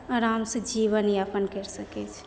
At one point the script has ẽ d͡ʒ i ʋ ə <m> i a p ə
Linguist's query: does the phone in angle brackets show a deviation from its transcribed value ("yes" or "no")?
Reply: yes